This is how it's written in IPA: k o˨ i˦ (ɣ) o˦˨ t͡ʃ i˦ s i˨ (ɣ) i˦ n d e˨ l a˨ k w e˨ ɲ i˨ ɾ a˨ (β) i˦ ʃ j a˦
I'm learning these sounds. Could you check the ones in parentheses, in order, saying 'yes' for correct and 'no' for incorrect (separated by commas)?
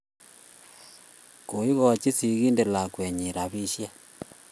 yes, yes, yes